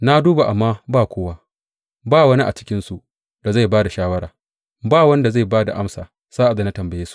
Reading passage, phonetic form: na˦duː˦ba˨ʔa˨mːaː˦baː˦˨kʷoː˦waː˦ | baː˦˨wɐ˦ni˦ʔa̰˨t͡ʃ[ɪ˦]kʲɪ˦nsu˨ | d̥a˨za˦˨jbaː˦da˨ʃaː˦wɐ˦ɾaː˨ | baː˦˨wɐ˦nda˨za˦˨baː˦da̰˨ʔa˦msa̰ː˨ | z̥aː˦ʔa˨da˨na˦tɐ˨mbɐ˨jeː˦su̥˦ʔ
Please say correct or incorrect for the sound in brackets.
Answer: correct